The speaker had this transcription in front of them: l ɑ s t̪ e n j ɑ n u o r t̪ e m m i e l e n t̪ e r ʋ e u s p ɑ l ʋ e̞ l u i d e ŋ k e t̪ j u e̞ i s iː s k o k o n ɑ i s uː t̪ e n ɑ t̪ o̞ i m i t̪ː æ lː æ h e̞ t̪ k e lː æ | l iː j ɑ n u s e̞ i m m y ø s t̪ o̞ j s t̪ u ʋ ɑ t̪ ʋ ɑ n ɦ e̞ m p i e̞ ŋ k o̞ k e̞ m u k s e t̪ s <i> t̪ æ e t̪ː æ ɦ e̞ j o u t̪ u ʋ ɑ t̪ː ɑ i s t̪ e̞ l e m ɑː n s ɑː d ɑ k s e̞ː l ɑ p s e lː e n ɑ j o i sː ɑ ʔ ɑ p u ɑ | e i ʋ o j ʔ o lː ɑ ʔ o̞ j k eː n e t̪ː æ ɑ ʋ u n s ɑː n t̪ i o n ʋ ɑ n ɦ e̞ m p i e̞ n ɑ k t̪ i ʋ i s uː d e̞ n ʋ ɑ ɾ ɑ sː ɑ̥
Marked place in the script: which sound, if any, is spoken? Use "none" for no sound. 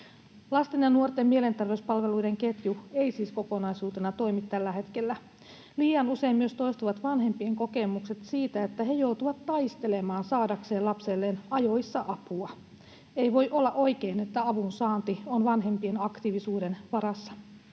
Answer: iː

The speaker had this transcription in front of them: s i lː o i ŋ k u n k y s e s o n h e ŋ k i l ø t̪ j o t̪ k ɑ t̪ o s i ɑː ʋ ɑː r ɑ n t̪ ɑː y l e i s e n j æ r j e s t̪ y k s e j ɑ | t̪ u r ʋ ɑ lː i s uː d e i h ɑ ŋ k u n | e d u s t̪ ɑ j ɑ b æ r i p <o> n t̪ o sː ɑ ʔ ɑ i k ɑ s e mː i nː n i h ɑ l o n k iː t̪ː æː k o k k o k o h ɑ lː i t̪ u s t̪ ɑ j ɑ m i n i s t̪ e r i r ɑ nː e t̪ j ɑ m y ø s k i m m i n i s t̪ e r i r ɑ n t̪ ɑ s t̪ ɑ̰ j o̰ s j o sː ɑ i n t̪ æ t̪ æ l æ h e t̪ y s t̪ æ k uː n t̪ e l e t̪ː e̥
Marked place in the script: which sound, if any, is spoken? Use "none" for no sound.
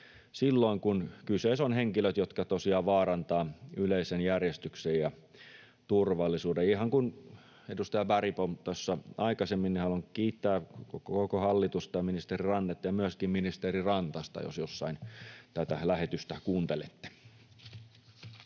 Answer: o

